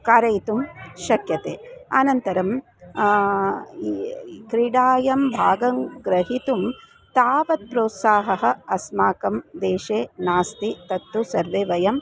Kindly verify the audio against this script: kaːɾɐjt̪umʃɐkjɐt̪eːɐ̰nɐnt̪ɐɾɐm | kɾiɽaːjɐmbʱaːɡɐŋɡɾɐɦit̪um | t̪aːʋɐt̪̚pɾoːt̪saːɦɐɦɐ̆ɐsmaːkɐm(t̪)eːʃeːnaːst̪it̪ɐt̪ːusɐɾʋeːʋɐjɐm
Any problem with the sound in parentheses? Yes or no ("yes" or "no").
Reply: yes